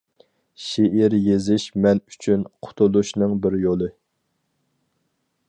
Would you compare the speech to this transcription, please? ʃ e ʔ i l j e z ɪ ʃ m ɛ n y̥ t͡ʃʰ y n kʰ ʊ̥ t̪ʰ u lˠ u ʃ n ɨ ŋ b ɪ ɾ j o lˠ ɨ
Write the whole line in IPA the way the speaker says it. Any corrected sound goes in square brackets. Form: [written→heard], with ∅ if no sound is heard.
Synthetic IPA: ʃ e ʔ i [l→ɾ] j e z ɪ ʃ m ɛ n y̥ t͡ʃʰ y n [kʰ→qʰ] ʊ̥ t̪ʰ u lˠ u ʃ n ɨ ŋ b ɪ ɾ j o lˠ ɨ